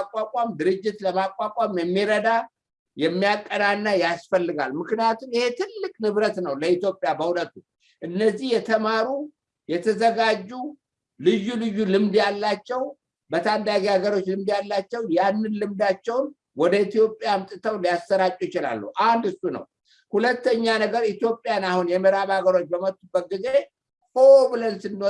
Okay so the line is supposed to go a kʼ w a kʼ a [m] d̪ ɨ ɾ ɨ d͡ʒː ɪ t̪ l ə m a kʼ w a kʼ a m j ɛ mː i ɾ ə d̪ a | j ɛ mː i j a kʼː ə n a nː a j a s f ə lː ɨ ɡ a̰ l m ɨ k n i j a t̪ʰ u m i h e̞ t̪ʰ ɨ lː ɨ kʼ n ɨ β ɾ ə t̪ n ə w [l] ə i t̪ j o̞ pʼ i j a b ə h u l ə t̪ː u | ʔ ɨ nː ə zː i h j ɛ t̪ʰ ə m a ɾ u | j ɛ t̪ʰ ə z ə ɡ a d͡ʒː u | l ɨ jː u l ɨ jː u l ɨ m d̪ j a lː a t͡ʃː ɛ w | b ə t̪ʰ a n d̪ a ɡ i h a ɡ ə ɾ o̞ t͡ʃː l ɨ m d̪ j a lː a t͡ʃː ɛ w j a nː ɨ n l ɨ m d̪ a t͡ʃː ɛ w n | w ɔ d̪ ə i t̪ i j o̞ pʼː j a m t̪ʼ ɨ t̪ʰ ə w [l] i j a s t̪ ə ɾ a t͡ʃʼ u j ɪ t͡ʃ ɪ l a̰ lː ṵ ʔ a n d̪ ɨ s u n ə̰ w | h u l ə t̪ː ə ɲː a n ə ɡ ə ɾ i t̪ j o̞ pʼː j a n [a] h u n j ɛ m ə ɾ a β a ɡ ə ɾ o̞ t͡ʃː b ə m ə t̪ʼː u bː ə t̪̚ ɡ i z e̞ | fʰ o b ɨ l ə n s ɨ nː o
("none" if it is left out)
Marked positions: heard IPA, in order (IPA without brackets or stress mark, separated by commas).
m, l, l, a